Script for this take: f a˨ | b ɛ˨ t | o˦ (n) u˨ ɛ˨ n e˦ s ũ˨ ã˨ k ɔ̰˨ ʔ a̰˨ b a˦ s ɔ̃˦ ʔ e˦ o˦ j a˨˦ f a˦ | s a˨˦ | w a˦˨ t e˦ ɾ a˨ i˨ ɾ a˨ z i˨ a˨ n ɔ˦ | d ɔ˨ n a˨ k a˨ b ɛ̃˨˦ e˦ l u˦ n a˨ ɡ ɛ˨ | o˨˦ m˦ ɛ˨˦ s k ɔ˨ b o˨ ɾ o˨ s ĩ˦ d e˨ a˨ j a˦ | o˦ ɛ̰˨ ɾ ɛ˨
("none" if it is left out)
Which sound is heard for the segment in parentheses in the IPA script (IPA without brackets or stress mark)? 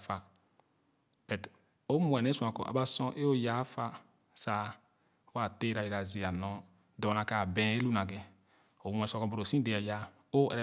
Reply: m